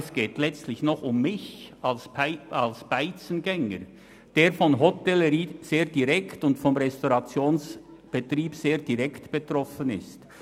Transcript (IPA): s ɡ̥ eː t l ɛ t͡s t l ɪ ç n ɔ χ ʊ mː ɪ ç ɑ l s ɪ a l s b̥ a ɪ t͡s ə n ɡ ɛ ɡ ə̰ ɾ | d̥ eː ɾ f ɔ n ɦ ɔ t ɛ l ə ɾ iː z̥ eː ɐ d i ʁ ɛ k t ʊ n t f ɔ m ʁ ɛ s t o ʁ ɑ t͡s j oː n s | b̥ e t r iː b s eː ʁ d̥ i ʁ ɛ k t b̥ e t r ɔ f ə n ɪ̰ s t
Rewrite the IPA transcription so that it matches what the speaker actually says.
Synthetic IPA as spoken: s ɡ̥ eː t l ɛ t͡s t l ɪ ç n ɔ χ ʊ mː ɪ ç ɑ l s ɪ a l s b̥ a ɪ t͡s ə n ɡ ɛ ŋ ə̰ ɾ | d̥ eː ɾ f ɔ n ɦ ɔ t ɛ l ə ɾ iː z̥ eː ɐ d i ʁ ɛ k t ʊ n t f ɔ m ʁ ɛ s t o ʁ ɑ t͡s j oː n s | b̥ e t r iː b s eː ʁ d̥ i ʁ ɛ k t b̥ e t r ɔ f ə n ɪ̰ s t

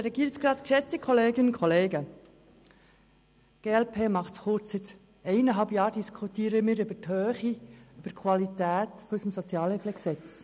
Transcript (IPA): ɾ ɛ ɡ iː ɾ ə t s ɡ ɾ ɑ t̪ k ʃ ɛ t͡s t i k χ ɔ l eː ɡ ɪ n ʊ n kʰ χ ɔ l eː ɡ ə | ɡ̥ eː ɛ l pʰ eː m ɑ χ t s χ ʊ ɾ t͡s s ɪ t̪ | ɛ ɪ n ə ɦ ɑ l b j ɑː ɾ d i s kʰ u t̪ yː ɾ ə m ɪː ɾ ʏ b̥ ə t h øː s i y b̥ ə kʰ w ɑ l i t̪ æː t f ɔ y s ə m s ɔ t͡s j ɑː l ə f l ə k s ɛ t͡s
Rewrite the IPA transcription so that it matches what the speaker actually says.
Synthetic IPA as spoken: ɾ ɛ ɡ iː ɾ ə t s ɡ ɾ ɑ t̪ k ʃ ɛ t͡s t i k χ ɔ l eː ɡ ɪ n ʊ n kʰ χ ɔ l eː ɡ ə | ɡ̥ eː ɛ l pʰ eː m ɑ χ t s χ ʊ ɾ t͡s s ɪ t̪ | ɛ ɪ n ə ɦ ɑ l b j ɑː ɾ d i s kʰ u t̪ iː ɾ ə m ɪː ɾ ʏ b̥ ə t h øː χ i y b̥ ə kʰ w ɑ l i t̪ æː t f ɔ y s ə m s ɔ t͡s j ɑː l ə f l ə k s ɛ t͡s

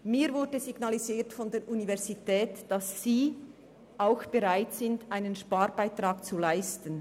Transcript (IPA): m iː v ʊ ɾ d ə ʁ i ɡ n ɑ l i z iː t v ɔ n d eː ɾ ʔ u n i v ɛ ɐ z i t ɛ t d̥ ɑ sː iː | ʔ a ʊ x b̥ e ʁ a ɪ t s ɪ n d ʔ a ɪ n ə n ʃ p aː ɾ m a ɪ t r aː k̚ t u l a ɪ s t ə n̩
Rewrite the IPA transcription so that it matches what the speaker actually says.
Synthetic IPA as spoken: m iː v ʊ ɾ d ə z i ɡ n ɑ l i z iː t f ɔ n d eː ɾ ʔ u n i v ɛ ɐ z i t ɛː t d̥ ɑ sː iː | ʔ a ʊ x b̥ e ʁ a ɪ t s ɪ n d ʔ a ɪ n ə n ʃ p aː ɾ b a ɪ t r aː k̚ t͡s u l a ɪ s t ə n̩

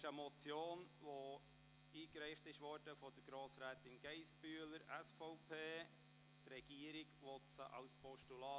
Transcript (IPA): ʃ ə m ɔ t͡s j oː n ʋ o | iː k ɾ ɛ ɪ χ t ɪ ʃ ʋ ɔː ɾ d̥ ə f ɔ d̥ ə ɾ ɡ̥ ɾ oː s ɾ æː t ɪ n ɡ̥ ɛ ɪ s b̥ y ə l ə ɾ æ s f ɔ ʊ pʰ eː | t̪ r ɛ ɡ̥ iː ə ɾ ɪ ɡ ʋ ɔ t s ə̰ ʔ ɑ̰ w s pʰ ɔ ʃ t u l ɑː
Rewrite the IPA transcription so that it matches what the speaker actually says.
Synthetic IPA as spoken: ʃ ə m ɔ t͡s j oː n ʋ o | iː k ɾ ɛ ɪ χ t ɪ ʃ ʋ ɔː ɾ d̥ ə f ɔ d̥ ə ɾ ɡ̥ ɾ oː s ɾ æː t ɪ n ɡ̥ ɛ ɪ s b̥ y ə l ə ɾ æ s f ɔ ʊ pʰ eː | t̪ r ɛ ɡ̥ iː ə ɾ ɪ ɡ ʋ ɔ t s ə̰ ʔ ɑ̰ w s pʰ ɔ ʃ t u l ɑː

